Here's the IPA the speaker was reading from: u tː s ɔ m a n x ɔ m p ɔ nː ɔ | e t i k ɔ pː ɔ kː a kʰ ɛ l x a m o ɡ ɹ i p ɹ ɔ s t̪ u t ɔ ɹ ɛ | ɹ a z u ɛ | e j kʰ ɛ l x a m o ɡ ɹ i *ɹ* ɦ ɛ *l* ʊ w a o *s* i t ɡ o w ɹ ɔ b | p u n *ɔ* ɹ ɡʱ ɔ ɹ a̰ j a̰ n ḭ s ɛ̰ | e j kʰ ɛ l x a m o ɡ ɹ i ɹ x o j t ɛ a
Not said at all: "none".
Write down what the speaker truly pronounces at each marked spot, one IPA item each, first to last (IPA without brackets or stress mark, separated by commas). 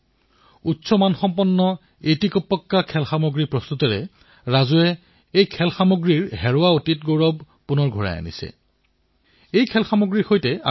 ɹ, ɹ, t, ɔ